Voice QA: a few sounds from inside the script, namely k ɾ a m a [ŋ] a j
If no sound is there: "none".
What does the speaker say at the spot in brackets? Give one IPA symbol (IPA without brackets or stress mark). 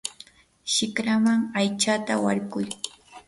ŋ